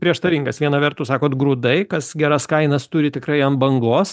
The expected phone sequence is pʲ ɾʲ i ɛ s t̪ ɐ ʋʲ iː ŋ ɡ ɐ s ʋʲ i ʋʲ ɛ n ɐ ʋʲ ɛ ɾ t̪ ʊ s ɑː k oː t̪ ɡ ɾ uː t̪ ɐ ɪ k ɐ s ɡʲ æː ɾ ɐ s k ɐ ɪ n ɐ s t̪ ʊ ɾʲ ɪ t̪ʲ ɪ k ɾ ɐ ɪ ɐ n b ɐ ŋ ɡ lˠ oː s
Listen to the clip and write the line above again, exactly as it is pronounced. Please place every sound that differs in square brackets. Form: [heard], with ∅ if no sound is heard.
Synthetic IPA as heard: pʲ ɾʲ i ɛ [ʃ] t̪ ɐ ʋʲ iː ŋ ɡ ɐ s ʋʲ i [∅] ɛ n ɐ ʋʲ ɛ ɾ t̪ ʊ s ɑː k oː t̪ ɡ ɾ uː [d̪] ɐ ɪ k ɐ s ɡʲ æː ɾ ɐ s k ɐ ɪ n ɐ s t̪ ʊ ɾʲ ɪ t̪ʲ ɪ k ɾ ɐ ɪ ɐ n b ɐ ŋ ɡ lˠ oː s